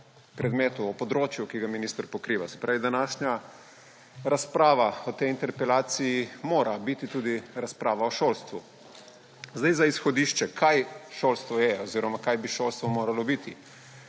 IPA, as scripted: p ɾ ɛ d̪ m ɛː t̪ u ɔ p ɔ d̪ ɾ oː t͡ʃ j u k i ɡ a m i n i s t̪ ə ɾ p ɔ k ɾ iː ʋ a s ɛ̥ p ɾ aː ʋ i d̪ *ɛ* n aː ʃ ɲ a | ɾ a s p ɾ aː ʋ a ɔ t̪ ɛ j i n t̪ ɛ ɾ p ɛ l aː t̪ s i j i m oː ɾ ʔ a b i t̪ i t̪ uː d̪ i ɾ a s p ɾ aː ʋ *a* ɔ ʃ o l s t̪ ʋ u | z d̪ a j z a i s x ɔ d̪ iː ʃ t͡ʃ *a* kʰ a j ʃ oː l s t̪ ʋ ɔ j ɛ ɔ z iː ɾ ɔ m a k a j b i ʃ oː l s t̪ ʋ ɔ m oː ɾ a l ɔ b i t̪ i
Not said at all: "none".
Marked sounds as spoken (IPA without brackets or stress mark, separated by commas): a, a, ɛ